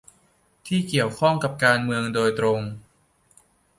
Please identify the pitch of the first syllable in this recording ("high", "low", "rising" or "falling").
falling